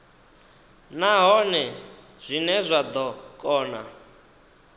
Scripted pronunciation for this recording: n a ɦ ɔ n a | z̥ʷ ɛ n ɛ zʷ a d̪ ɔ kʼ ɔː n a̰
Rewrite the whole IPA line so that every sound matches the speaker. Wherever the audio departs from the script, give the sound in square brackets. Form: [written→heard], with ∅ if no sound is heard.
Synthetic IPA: n a ɦ ɔ n [a→ɛ] | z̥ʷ [ɛ→i] n ɛ zʷ a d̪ ɔ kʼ ɔː n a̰